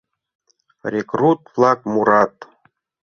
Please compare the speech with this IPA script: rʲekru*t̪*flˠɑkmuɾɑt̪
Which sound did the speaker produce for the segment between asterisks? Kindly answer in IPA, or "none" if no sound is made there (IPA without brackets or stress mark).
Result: t̪